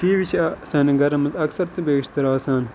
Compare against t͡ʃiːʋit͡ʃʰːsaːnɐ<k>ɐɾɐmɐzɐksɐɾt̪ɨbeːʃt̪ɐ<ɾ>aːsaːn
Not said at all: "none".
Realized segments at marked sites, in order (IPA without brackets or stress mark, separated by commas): ɡ, ɾ